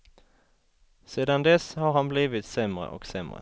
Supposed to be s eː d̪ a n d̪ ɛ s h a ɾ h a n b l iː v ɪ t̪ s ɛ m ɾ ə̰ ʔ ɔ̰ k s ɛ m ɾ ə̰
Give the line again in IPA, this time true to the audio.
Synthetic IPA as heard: s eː d̪ a n d̪ ɛ s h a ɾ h a n b l iː v ɪ t̪ s ɛ m ɾ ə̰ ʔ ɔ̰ k s ɛ m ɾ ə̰